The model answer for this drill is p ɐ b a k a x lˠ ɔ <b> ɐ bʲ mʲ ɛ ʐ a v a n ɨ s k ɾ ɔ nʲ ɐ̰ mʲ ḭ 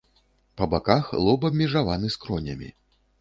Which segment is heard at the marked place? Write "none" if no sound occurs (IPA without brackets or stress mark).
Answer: b